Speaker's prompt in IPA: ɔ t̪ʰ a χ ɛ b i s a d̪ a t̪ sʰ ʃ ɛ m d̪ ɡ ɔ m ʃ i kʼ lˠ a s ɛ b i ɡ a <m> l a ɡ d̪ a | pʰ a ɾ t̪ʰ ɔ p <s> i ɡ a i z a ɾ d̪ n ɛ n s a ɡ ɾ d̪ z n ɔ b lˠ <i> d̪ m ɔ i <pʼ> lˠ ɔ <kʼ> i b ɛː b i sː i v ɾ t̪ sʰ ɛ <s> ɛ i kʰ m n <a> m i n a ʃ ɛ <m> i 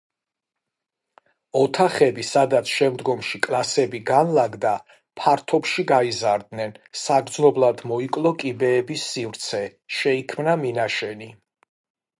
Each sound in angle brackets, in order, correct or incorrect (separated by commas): incorrect, incorrect, incorrect, incorrect, correct, incorrect, correct, incorrect